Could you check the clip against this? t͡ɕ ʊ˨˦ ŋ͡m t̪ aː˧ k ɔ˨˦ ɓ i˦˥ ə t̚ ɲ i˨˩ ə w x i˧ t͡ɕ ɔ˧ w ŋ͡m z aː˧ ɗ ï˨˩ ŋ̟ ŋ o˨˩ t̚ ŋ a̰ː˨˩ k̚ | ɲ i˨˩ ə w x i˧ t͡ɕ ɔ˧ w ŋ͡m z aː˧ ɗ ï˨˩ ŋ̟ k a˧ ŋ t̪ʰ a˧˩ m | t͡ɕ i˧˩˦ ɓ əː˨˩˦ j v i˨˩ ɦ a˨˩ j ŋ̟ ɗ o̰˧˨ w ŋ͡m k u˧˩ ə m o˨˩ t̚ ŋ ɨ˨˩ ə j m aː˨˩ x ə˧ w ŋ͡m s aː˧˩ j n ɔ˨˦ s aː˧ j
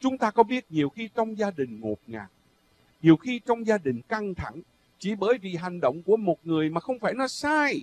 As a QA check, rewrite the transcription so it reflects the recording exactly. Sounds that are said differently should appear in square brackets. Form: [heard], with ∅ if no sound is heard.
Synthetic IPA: t͡ɕ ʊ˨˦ ŋ͡m t̪ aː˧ k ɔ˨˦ ɓ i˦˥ ə t̚ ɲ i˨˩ ə w x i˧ t͡ɕ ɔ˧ w ŋ͡m z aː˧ ɗ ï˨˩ ŋ̟ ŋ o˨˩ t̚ ŋ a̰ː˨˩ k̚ | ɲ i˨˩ ə w x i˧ t͡ɕ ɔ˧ w ŋ͡m z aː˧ ɗ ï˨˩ ŋ̟ k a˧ ŋ t̪ʰ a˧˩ [ŋ] | t͡ɕ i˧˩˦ ɓ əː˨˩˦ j v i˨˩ ɦ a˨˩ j ŋ̟ ɗ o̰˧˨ w ŋ͡m k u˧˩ ə m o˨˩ t̚ ŋ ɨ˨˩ ə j m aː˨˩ x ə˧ w ŋ͡m [f] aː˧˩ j n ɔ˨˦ s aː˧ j